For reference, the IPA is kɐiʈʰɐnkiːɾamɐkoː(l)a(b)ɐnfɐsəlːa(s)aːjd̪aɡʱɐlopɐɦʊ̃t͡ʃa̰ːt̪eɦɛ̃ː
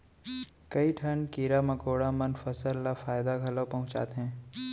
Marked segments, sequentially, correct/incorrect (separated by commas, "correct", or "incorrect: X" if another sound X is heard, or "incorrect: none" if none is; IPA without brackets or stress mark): incorrect: ɽ, incorrect: m, incorrect: f